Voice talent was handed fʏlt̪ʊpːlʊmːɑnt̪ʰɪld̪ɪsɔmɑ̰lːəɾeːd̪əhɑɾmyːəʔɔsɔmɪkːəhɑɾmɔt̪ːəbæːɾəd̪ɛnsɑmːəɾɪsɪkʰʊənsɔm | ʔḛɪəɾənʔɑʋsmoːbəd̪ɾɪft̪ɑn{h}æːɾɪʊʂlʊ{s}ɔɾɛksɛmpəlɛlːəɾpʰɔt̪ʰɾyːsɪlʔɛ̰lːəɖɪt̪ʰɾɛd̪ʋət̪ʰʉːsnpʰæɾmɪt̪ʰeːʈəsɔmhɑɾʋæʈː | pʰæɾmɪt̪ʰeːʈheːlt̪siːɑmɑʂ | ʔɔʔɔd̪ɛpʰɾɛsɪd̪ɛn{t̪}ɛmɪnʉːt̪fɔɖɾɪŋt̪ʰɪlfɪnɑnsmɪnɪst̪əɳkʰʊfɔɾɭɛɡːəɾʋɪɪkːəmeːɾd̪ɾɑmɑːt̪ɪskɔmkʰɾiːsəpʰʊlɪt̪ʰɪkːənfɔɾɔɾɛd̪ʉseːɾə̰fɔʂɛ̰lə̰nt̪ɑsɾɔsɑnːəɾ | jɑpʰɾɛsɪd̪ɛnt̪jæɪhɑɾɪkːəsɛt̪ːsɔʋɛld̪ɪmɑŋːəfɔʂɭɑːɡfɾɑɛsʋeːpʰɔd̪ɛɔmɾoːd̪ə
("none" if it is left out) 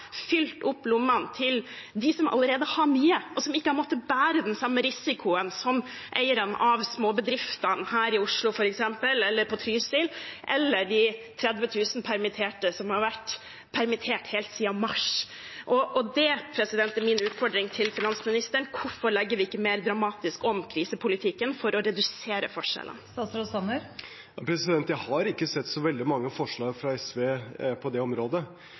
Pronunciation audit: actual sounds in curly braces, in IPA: h, f, t̪

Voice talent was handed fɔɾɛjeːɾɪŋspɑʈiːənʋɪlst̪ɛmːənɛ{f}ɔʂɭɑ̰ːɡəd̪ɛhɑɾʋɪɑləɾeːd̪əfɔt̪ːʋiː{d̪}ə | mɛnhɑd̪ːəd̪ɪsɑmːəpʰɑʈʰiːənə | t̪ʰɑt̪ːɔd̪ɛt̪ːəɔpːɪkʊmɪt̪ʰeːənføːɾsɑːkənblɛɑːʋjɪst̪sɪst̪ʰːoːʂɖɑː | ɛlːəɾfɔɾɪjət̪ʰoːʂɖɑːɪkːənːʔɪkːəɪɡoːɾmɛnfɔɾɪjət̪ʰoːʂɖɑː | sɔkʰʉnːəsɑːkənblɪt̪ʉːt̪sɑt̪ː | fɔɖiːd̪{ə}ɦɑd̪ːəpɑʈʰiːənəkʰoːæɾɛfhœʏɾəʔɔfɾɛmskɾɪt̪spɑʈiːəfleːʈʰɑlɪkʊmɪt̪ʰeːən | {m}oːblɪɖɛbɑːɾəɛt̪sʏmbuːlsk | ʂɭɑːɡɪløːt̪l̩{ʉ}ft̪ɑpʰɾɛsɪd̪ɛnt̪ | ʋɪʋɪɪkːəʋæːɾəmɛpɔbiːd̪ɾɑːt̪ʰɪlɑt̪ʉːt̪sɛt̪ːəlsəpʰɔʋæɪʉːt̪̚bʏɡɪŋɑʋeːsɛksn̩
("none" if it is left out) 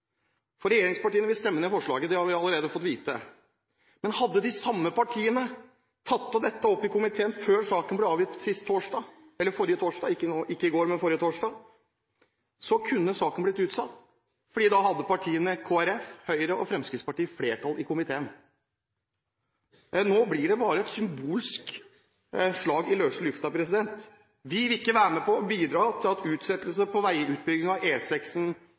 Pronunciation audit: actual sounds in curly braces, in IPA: f, t̪, ɑ, n, ʉ

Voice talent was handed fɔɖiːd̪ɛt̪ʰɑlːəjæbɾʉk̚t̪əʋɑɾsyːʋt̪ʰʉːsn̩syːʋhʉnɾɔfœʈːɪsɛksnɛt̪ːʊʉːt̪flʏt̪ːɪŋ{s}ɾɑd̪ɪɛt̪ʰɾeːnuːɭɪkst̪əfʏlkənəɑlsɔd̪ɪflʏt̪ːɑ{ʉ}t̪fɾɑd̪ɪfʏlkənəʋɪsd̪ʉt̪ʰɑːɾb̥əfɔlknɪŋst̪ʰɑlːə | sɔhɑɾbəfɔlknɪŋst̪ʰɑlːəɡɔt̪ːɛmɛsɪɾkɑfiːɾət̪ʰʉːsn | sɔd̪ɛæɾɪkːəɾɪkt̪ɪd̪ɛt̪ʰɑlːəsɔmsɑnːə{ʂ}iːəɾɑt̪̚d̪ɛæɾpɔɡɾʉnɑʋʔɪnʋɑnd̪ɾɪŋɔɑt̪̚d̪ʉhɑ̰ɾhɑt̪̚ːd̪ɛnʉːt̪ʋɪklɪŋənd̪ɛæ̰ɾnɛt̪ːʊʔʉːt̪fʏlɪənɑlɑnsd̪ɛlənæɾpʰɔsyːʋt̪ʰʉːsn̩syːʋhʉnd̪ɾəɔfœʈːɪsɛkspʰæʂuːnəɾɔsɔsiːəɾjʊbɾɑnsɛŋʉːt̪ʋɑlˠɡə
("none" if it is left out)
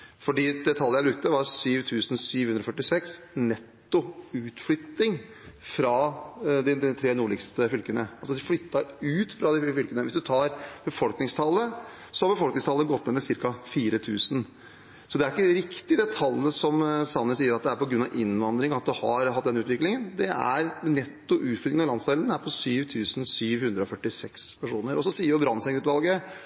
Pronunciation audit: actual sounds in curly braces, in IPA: f, ʉː, s

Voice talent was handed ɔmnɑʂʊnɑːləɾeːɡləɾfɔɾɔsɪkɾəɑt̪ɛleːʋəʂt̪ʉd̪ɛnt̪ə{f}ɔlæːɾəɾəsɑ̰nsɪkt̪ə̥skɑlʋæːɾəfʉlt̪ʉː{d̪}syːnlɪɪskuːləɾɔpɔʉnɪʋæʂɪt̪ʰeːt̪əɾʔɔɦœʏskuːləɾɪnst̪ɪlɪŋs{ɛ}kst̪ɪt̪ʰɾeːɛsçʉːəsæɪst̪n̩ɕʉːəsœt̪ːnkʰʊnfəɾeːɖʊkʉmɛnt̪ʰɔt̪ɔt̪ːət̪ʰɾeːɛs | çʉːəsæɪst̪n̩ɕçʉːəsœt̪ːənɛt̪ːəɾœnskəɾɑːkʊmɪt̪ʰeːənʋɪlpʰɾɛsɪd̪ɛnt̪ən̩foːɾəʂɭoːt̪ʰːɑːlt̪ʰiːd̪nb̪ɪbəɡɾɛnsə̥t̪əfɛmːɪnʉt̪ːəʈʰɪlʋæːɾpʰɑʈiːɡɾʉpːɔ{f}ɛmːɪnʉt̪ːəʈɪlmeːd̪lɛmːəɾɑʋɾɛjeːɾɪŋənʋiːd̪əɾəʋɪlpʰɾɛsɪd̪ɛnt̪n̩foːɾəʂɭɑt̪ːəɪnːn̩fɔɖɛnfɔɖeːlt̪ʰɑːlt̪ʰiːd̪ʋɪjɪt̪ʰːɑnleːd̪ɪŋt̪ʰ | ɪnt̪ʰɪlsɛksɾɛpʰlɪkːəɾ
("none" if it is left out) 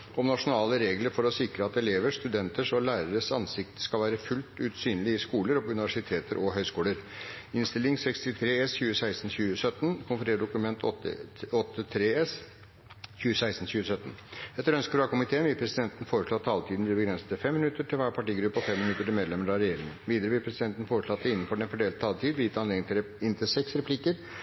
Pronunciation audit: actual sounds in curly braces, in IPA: ʂ, t̪, ɛ, f

